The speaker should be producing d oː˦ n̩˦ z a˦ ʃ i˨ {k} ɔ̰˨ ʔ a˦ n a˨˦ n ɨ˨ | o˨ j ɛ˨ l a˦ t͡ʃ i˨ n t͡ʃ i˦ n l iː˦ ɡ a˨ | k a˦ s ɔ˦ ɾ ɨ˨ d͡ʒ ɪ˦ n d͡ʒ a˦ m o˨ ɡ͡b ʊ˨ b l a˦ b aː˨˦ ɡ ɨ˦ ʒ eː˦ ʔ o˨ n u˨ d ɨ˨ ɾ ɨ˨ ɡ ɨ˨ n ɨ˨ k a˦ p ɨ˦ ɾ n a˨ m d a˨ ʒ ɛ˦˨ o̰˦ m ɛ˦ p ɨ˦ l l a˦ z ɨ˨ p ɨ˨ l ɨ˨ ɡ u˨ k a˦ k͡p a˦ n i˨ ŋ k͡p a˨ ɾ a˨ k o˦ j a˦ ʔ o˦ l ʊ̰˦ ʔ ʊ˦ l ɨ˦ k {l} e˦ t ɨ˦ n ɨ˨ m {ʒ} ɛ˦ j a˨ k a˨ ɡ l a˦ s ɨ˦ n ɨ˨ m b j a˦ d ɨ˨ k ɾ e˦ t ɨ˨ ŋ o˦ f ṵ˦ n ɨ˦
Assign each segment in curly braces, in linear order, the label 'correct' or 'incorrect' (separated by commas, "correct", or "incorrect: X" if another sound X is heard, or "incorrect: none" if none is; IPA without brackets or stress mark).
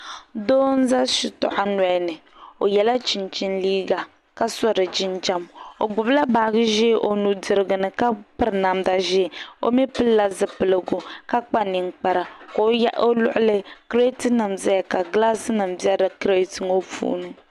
incorrect: t, incorrect: ɾ, incorrect: z